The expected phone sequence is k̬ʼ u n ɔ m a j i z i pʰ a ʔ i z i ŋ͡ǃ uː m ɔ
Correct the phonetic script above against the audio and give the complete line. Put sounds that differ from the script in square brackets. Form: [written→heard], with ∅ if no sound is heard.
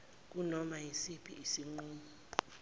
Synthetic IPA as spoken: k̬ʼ u n ɔ m a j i [z→s] i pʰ [a→i] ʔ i [z→s] i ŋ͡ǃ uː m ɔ